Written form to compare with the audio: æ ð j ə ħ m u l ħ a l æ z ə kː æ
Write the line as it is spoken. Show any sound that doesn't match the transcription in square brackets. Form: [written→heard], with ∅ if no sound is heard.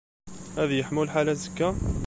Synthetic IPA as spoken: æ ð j ə ħ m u l ħ a l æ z ə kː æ